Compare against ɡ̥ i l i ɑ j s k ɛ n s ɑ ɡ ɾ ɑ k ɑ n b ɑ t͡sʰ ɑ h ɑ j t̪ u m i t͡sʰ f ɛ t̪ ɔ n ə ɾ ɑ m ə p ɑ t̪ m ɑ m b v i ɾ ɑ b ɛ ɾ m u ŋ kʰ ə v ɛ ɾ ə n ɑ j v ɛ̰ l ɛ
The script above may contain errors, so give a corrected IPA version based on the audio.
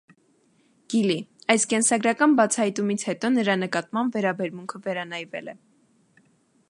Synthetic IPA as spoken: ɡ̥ i l i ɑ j s k ɛ n s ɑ ɡ ɾ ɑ k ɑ n b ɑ t͡sʰ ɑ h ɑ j t̪ u m i t͡sʰ h ɛ t̪ ɔ n ə ɾ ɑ n ə k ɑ t̪ m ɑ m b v ɛ ɾ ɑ b ɛ ɾ m u ŋ kʰ ə v ɛ ɾ ɑ n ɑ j v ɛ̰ l ɛ